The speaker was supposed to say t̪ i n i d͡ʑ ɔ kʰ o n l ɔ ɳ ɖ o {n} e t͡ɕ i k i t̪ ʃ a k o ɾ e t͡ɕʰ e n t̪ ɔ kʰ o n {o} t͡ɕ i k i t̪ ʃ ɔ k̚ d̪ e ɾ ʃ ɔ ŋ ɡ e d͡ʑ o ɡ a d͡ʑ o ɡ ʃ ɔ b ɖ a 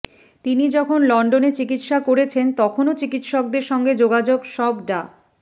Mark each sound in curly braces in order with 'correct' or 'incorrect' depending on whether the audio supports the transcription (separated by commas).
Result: correct, correct